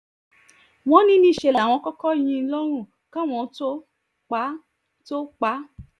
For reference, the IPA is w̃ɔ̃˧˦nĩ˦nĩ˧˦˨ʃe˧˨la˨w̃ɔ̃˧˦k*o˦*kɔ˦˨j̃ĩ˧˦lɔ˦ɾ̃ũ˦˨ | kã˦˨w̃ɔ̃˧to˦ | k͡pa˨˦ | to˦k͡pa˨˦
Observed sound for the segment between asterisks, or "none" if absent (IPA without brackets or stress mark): ɔ˦